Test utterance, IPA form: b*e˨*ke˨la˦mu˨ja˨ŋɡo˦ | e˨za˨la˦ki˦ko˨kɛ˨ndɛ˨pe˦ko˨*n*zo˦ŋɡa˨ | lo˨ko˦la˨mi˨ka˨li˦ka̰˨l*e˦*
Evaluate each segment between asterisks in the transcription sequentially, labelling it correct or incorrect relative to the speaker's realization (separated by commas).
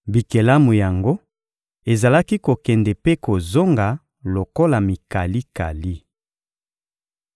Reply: incorrect, incorrect, incorrect